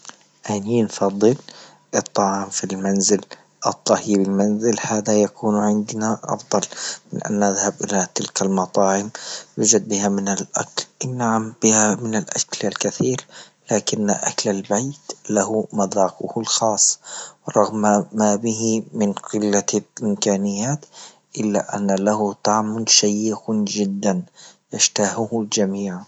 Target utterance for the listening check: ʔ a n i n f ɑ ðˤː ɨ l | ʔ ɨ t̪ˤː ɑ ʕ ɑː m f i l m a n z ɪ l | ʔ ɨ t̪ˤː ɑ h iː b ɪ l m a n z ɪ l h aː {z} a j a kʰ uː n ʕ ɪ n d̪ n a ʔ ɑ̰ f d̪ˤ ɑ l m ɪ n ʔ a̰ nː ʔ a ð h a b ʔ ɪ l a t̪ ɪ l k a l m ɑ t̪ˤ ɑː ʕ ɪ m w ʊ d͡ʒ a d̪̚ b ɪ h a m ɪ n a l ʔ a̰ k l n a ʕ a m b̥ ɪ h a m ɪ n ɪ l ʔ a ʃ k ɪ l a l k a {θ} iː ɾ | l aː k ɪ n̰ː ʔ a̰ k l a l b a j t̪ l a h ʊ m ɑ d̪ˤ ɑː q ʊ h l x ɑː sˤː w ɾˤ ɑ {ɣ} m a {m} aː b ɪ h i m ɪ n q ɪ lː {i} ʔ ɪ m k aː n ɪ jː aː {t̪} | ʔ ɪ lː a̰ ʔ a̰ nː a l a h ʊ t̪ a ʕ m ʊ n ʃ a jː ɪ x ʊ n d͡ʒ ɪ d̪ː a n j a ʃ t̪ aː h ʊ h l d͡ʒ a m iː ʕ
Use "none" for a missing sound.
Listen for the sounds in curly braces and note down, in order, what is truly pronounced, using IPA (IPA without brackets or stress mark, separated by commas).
ð, θ, ɣ, m, a, t̪